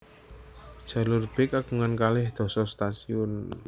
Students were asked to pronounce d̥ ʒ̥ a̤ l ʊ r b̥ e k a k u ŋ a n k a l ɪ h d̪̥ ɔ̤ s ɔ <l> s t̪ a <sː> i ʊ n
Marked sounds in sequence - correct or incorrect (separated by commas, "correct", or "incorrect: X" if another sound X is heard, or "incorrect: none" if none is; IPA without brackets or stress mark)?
incorrect: none, incorrect: s